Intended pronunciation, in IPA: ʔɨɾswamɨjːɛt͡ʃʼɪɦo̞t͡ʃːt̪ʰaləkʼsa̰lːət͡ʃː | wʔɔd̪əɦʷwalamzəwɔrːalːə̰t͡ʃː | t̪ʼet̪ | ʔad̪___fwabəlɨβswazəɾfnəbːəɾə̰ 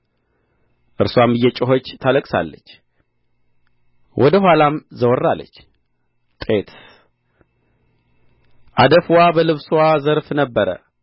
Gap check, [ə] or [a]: ə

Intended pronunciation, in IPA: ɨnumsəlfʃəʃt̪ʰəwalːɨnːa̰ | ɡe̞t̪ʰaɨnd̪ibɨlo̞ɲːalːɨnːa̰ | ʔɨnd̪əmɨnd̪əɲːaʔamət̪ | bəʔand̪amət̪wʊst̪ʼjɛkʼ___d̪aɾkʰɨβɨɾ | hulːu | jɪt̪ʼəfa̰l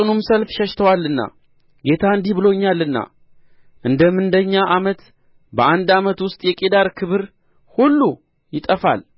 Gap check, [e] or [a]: e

